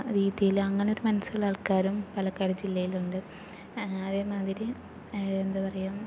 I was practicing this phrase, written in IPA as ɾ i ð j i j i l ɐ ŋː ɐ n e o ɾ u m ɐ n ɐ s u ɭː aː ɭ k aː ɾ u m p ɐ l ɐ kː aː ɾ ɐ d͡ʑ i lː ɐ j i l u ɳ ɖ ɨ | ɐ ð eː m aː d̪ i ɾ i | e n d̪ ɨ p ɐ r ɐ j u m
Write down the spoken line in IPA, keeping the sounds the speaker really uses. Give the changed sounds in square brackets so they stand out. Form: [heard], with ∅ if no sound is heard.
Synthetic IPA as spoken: ɾ [iː] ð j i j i l ɐ ŋː ɐ n e o ɾ u m ɐ n ɐ s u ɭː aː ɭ k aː ɾ u m p ɐ l ɐ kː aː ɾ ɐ d͡ʑ i lː ɐ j i l u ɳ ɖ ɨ | ɐ ð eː m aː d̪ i ɾ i | e n d̪ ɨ p ɐ r ɐ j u m